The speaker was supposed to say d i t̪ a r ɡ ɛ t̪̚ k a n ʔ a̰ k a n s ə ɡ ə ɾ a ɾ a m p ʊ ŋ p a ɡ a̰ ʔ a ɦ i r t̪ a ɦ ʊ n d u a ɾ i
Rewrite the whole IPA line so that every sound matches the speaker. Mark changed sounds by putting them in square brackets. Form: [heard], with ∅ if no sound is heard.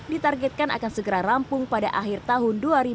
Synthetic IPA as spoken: d i t̪ a r ɡ ɛ t̪̚ k a n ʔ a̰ k a n s ə ɡ ə ɾ a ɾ a m p ʊ ŋ p a [d] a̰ ʔ a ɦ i r t̪ a ɦ ʊ n d u a ɾ i